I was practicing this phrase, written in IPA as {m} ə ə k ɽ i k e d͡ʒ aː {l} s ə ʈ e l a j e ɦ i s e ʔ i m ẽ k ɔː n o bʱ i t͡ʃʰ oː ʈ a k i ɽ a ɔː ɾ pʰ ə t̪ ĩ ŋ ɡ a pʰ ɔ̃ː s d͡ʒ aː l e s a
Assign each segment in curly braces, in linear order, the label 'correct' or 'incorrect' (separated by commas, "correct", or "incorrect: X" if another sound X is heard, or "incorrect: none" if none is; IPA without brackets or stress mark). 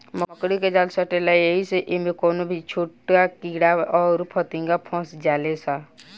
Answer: correct, correct